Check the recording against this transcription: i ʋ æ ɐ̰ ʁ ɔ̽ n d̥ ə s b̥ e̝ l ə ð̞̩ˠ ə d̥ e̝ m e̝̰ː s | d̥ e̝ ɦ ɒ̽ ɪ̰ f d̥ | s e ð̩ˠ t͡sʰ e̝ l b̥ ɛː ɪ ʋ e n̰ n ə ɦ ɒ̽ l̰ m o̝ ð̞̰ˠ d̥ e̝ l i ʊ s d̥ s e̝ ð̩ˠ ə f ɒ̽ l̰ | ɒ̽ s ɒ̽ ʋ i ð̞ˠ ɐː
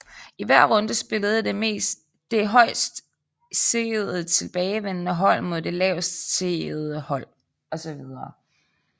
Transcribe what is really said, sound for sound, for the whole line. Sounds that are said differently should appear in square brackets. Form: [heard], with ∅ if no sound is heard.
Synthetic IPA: i ʋ æ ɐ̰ ʁ ɔ̽ n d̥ ə s b̥ e̝ l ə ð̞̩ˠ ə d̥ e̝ m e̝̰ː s | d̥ e̝ ɦ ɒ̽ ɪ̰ [s] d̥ | s e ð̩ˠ t͡sʰ e̝ l b̥ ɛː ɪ ʋ e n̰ n ə ɦ ɒ̽ l̰ m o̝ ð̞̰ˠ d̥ e̝ l [ɛ] ʊ s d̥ s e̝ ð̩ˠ ə [h] ɒ̽ l̰ | ɒ̽ s ɒ̽ ʋ i ð̞ˠ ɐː